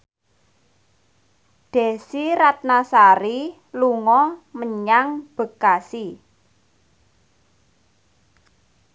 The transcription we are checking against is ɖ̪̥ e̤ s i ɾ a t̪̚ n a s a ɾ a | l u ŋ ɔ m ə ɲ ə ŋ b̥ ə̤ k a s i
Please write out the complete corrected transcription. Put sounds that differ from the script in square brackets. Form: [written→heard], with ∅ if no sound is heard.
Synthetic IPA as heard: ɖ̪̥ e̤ s i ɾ a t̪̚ n a s a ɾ [a→i] | l u ŋ ɔ m ə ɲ [ə→a] ŋ b̥ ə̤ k a s i